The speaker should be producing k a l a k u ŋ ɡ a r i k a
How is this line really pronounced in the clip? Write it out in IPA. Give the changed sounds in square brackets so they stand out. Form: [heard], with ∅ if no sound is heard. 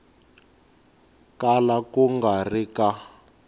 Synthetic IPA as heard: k a l a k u ŋ ɡ a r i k a